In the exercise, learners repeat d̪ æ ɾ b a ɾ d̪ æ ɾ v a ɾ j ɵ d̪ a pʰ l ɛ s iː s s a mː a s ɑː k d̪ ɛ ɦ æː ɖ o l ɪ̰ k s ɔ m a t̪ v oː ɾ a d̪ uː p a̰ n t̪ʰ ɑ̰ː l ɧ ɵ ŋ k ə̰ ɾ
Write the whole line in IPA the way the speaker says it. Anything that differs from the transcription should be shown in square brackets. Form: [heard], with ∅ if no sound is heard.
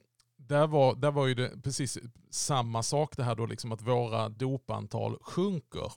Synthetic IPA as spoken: d̪ æ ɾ [v] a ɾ d̪ æ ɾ v a ɾ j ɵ d̪ [ɛ] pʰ [ɾ] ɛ s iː s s a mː a s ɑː k d̪ ɛ ɦ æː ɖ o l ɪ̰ k s ɔ m a t̪ v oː ɾ a d̪ uː p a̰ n t̪ʰ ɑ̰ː l ɧ ɵ ŋ k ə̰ ɾ